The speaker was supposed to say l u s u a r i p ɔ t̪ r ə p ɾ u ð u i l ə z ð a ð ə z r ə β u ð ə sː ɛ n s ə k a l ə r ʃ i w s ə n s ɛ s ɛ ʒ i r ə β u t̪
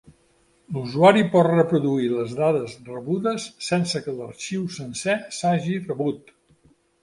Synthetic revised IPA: l u z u a ɾ i p ɔ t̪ r ə p ɾ u ð u i l ə z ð a ð ə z r ə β u ð ə sː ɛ n s ə k ə l ə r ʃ i w s ə n s ɛ s a ʒ i r ə β u t̪